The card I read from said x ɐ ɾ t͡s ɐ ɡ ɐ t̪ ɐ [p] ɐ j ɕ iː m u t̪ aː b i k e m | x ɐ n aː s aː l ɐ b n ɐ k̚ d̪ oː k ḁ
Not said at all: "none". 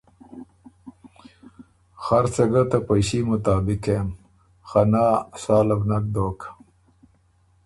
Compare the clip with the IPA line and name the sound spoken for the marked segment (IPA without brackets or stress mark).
p